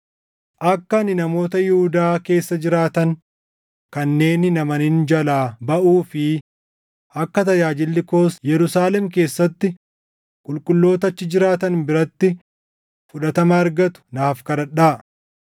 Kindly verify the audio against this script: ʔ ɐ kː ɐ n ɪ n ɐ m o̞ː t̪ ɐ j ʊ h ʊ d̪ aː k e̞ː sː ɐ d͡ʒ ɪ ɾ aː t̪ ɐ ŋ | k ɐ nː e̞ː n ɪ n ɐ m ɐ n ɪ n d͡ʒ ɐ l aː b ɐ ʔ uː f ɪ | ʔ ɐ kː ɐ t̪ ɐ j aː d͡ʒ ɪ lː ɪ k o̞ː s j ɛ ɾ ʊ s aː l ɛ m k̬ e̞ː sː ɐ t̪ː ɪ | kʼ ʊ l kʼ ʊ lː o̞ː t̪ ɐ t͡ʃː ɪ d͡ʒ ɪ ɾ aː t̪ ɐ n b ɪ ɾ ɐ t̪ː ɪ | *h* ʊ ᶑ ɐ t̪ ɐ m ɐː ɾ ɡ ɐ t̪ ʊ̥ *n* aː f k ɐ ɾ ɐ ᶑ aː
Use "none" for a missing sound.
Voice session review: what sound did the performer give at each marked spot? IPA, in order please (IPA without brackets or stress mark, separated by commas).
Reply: f, n